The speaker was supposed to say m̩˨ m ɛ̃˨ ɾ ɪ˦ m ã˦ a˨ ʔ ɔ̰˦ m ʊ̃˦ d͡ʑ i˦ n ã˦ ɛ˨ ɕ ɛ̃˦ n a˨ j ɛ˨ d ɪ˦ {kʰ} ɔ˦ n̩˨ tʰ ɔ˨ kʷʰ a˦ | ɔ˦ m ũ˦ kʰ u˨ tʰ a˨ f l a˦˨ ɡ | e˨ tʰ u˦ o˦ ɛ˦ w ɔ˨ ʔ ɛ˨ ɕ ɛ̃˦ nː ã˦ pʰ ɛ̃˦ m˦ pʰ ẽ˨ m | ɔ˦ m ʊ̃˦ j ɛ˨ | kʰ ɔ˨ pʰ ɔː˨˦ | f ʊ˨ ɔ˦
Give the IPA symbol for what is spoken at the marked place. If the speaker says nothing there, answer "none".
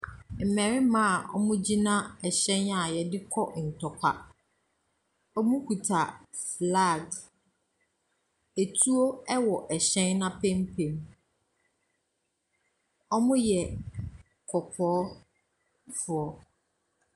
kʰ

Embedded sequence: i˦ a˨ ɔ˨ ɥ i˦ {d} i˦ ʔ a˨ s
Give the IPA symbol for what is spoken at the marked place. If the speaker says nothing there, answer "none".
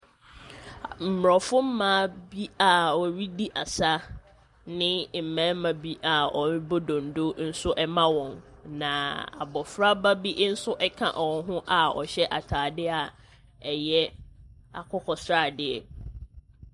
d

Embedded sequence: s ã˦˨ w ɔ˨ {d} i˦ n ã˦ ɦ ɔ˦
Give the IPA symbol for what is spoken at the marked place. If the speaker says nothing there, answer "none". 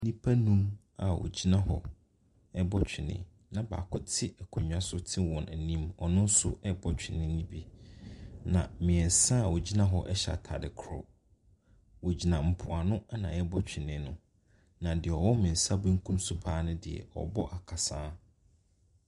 d͡ʑ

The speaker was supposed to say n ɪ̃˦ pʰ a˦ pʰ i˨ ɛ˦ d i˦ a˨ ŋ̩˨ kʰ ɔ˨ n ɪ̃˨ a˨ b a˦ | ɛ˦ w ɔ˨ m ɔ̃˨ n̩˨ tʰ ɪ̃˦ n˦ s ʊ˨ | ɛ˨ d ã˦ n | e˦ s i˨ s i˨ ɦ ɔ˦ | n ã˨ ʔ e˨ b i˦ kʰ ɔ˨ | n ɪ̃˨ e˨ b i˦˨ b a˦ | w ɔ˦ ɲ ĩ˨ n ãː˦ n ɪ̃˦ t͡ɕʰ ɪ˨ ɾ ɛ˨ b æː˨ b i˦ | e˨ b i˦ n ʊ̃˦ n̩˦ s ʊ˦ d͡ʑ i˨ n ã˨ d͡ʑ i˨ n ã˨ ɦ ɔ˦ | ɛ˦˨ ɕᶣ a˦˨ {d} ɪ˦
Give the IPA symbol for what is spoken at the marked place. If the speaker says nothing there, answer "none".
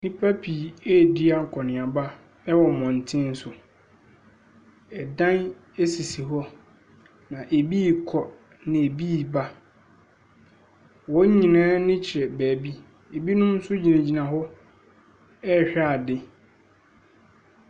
d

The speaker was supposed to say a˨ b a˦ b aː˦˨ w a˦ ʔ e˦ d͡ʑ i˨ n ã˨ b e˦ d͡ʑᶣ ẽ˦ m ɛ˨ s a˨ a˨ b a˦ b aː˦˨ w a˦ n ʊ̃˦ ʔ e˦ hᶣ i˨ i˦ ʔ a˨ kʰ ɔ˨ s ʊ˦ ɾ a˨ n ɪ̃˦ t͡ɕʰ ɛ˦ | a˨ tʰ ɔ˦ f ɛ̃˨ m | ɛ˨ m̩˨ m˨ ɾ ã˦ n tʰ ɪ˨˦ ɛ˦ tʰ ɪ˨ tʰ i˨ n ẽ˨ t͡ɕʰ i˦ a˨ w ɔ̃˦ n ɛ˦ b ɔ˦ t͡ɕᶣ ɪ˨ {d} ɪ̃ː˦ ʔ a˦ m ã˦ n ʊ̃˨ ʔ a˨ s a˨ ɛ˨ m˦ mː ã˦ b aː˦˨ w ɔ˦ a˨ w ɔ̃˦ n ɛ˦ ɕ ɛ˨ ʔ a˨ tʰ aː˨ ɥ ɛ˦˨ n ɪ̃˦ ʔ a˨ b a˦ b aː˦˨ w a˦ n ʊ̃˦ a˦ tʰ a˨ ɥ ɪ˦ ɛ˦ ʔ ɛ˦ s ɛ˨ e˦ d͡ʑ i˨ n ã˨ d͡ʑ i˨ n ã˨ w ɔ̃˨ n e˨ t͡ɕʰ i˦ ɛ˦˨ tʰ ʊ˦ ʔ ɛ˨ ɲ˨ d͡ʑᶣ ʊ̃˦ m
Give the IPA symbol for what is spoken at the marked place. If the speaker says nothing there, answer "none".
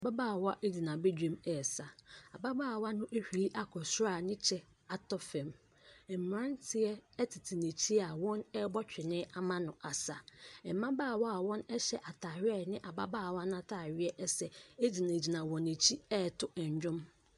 n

